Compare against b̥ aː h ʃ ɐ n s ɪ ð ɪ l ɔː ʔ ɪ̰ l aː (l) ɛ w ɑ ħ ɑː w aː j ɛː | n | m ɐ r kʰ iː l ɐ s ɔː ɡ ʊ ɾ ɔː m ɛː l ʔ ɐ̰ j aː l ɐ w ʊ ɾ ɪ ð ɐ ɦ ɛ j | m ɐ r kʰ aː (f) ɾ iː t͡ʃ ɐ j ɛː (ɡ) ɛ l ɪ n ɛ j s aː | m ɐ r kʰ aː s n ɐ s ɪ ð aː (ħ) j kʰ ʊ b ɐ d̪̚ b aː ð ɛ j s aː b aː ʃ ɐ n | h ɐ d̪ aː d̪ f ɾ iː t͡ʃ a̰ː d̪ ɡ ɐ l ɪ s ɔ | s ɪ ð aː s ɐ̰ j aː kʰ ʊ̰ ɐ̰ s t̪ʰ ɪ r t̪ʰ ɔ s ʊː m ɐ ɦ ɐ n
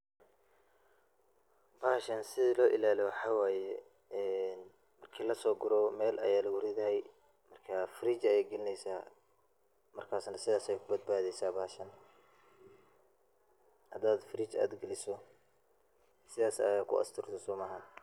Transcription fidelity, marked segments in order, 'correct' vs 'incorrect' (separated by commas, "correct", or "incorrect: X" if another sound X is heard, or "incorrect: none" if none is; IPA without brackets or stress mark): correct, correct, correct, incorrect: s